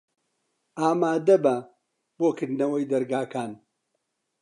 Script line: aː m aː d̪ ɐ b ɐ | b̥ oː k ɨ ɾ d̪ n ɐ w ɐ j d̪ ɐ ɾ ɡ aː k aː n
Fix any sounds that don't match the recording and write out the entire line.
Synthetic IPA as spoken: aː m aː d̪ ɐ b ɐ | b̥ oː k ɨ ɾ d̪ n ɐ w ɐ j d̪ ɐ ɾ ɡ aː k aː n